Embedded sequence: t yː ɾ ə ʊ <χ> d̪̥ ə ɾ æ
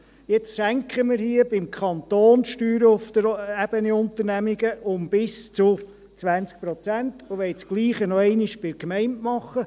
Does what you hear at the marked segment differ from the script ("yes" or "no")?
yes